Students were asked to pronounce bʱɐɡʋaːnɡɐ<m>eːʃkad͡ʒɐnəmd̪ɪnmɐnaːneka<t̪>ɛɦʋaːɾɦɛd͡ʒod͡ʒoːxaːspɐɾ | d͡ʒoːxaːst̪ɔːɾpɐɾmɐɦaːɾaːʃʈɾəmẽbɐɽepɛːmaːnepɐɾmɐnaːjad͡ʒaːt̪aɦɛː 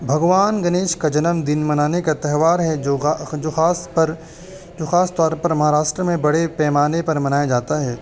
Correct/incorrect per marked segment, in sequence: incorrect, correct

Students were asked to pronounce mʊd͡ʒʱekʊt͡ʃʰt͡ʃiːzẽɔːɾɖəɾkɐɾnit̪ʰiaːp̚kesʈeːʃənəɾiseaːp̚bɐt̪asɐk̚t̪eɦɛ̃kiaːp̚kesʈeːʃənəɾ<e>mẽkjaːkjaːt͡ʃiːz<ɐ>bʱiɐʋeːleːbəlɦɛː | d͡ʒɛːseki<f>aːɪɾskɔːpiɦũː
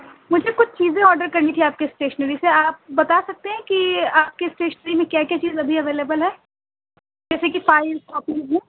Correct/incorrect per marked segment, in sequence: incorrect, correct, correct

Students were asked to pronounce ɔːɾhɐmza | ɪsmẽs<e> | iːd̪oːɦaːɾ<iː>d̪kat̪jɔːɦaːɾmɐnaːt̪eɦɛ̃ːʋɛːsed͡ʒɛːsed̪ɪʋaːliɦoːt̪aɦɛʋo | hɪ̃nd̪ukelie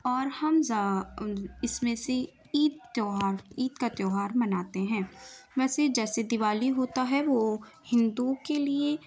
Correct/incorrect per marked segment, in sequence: correct, correct

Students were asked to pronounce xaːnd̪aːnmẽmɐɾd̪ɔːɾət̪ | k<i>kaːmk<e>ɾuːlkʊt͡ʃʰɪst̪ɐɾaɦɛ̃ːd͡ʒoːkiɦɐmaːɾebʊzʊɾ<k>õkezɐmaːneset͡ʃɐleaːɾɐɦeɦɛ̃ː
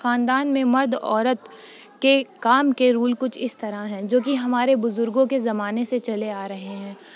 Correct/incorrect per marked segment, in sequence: incorrect, correct, incorrect

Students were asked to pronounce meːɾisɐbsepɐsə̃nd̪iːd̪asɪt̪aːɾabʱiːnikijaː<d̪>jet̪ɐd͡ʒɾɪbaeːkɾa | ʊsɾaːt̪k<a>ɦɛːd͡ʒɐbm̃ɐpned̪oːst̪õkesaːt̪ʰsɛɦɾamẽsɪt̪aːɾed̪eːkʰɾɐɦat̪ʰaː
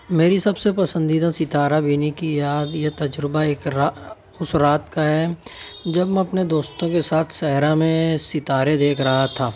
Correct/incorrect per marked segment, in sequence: correct, correct

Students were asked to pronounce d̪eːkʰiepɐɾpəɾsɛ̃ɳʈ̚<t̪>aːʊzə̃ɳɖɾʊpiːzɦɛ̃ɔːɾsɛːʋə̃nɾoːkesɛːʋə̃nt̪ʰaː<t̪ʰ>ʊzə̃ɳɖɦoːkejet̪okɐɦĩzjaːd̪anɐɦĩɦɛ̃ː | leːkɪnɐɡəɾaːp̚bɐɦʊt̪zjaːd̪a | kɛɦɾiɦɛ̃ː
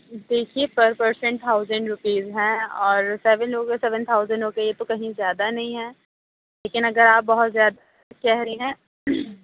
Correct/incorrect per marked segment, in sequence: incorrect, incorrect

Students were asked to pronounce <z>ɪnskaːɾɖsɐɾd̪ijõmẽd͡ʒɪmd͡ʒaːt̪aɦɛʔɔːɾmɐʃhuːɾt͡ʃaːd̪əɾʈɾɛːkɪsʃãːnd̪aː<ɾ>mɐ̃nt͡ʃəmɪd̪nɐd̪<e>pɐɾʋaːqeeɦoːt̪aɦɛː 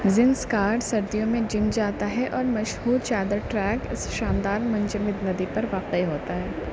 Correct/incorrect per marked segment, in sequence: correct, correct, incorrect

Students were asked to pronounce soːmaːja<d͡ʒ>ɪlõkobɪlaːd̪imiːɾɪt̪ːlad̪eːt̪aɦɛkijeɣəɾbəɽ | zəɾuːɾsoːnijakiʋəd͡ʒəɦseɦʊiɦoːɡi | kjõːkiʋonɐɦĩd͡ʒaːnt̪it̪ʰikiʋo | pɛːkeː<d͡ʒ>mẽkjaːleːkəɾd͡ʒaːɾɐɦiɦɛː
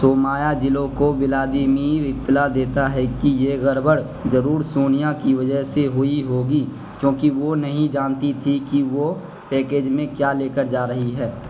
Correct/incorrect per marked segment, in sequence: correct, correct

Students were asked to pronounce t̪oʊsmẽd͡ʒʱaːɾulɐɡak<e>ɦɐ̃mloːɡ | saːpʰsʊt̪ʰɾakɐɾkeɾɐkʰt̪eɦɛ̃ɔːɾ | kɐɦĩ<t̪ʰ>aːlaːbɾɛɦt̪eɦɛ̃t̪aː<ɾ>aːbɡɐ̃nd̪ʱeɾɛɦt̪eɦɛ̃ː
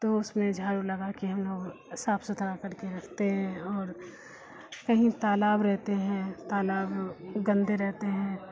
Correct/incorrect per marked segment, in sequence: incorrect, incorrect, incorrect

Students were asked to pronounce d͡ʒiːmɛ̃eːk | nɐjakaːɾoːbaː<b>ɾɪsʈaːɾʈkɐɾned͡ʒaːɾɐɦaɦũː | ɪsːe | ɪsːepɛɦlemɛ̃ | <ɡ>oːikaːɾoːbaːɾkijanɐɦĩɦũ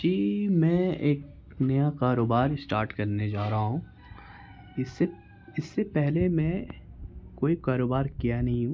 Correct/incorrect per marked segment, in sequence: incorrect, incorrect

